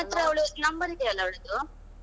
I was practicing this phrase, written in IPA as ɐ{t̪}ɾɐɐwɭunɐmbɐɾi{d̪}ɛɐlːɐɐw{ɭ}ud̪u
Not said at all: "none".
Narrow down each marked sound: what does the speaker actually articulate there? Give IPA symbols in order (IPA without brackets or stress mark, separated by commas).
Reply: t̪, d̪, ɭ